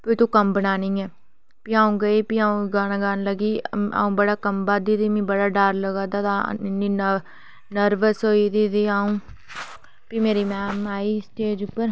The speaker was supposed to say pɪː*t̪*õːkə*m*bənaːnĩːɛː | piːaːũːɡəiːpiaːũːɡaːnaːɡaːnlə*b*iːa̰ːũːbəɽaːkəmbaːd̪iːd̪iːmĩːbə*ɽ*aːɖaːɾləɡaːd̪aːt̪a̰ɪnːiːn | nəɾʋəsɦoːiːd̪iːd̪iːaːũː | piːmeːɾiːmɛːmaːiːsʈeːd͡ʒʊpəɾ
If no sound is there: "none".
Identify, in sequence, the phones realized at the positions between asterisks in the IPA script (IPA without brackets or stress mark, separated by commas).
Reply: t̪, m, ɡ, ɽ